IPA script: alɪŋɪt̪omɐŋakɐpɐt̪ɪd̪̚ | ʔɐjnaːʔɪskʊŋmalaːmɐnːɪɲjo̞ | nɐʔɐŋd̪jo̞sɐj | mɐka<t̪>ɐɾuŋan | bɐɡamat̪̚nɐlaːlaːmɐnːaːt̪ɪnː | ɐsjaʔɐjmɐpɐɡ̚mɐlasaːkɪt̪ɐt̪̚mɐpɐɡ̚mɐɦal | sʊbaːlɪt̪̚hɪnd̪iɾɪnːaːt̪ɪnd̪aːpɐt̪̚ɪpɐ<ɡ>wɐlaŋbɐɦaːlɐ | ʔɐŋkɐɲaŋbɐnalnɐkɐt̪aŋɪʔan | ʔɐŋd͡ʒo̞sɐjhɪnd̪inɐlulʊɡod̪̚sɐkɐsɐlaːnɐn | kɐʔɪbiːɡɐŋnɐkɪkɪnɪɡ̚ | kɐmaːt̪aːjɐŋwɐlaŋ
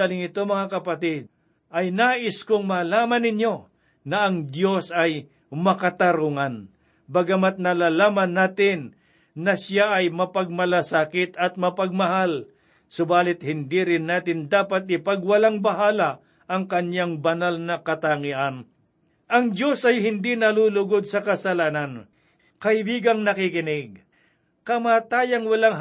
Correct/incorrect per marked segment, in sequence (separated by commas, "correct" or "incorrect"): correct, correct